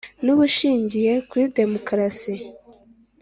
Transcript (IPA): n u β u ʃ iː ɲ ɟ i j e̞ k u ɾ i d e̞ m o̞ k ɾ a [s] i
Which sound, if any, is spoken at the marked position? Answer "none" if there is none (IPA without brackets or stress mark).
s